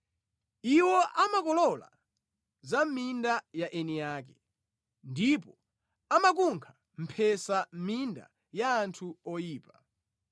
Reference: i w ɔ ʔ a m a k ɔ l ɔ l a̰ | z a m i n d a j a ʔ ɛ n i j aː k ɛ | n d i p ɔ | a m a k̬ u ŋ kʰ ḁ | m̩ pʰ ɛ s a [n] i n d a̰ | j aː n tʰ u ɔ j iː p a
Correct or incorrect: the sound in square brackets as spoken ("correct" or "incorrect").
incorrect